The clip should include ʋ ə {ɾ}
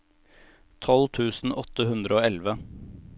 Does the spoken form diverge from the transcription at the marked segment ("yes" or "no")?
yes